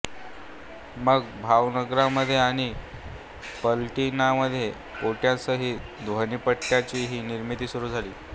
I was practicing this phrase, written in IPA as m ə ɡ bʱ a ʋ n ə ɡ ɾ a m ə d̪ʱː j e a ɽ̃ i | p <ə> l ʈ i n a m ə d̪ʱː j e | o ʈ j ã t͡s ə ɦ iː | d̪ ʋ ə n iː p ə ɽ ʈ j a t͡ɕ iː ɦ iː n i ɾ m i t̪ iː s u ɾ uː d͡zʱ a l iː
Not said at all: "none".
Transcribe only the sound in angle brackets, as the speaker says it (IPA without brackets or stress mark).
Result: ə